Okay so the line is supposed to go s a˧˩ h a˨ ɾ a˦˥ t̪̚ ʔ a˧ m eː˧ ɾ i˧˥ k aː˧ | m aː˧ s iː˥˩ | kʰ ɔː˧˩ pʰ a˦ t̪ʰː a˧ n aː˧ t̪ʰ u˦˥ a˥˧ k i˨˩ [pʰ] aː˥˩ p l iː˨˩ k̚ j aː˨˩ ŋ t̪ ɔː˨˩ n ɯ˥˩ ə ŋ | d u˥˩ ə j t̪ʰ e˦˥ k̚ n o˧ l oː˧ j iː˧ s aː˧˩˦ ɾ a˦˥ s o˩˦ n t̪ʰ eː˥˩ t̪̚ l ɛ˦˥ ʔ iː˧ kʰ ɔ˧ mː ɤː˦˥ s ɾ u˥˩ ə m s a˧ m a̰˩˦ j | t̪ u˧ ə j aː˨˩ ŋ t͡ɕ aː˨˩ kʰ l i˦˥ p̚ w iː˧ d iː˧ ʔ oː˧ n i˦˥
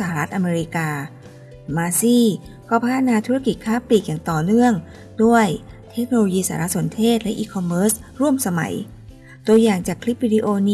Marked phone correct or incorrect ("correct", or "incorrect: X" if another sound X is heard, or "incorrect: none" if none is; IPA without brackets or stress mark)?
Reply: incorrect: kʰ